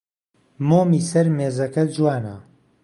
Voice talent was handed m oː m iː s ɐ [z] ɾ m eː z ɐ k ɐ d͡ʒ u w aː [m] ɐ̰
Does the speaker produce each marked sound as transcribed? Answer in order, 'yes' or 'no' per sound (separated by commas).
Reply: no, no